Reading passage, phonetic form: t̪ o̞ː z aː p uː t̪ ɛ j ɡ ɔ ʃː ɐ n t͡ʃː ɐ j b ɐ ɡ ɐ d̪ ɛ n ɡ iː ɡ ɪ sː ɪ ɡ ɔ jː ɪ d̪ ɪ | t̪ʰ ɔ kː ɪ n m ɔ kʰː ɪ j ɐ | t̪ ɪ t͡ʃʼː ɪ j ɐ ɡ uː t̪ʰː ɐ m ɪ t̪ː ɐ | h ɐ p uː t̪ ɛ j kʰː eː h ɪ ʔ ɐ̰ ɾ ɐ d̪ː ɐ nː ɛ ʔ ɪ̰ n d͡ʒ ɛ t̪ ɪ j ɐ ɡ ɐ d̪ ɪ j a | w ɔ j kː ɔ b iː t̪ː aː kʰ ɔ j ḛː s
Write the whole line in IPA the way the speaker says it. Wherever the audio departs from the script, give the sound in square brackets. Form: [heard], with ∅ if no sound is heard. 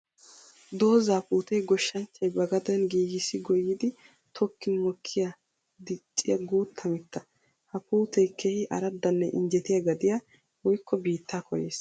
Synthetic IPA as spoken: [d̪] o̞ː z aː p uː t̪ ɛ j ɡ ɔ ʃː ɐ n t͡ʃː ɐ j b ɐ ɡ ɐ d̪ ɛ n ɡ iː ɡ ɪ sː ɪ ɡ ɔ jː ɪ d̪ ɪ | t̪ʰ ɔ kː ɪ n m ɔ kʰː ɪ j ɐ | [d̪] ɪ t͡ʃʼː ɪ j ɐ ɡ uː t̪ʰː ɐ m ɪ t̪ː ɐ | h ɐ p uː t̪ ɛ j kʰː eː h ɪ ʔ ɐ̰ ɾ ɐ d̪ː ɐ nː ɛ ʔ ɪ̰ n d͡ʒ ɛ t̪ ɪ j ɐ ɡ ɐ d̪ ɪ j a | w ɔ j kː ɔ b iː t̪ː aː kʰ ɔ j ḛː s